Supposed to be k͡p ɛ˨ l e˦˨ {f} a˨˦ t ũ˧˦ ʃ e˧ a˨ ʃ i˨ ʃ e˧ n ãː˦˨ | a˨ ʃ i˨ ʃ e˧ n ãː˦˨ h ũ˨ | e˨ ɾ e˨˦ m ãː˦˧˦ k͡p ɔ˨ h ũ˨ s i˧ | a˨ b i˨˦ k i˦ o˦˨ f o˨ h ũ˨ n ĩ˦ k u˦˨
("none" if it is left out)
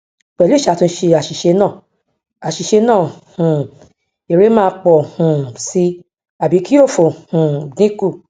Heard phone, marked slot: ʃ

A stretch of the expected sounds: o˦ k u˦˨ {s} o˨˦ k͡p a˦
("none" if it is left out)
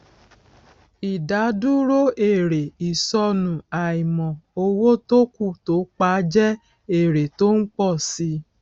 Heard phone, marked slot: t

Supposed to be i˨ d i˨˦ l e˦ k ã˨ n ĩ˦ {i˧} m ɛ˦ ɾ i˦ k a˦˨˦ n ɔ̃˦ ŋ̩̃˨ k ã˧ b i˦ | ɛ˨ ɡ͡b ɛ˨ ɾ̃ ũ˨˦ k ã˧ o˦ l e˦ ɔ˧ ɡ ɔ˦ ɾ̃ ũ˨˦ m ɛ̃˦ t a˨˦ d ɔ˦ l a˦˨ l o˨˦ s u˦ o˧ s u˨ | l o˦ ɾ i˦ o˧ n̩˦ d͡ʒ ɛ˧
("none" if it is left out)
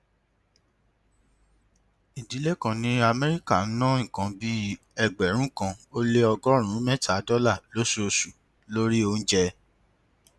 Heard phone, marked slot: a˧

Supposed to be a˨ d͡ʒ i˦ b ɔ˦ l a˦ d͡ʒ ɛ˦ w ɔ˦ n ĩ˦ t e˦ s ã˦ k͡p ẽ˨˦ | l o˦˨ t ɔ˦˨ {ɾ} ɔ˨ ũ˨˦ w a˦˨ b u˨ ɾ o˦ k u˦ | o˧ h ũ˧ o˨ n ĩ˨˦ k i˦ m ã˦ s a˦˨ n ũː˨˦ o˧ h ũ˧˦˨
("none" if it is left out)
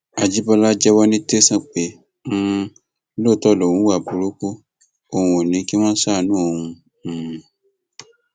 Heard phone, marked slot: l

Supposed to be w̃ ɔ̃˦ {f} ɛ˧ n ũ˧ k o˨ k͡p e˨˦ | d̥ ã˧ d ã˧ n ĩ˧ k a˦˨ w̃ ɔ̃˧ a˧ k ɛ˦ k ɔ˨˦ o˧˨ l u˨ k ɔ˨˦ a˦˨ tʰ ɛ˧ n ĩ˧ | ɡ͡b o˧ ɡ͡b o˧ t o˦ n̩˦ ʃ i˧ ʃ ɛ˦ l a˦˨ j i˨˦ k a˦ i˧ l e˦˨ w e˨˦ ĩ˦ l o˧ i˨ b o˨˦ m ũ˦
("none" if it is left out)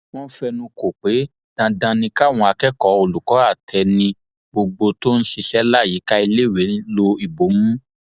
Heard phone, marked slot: f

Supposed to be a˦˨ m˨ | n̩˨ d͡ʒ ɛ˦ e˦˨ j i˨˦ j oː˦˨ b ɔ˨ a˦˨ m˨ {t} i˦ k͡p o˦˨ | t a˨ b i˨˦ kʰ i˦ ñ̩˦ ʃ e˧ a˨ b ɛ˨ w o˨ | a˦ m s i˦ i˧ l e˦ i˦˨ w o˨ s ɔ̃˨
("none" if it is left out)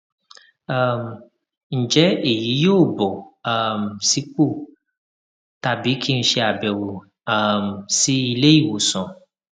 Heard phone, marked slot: s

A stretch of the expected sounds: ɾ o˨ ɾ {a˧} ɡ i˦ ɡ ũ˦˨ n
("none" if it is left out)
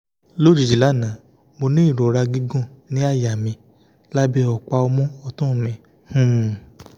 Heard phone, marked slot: a˧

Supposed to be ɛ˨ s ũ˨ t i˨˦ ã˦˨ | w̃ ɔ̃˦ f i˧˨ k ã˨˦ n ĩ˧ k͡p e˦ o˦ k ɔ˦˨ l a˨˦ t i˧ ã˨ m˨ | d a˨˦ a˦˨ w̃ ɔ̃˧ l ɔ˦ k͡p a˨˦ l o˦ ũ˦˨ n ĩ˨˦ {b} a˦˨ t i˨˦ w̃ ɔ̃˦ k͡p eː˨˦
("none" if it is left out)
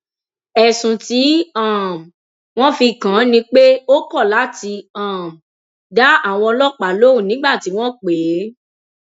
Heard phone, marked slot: ɡ͡b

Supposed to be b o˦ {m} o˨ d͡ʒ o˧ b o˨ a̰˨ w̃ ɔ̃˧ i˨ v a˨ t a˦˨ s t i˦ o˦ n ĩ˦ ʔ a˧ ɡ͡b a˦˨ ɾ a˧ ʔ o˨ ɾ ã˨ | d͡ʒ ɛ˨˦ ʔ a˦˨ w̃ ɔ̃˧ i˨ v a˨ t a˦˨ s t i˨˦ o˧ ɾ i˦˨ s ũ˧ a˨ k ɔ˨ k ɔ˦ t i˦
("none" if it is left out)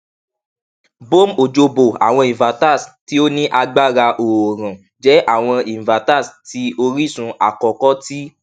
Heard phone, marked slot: m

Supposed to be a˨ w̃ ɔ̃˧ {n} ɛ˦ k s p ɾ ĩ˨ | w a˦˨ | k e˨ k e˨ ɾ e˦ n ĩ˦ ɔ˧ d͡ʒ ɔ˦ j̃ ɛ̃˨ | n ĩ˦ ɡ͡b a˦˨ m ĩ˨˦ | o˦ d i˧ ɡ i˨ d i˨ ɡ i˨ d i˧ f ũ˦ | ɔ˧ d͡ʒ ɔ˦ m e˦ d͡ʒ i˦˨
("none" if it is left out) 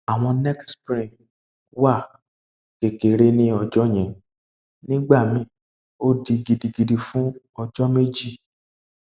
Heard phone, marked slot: n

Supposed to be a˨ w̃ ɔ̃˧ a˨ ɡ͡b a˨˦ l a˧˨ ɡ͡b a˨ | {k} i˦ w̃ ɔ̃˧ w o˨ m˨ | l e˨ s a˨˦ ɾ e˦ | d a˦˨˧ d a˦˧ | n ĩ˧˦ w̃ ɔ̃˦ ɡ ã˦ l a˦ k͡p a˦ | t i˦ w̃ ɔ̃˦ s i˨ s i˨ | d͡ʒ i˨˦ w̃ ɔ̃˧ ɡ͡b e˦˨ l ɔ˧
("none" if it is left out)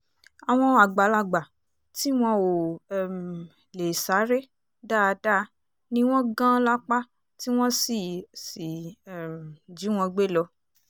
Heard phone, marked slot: t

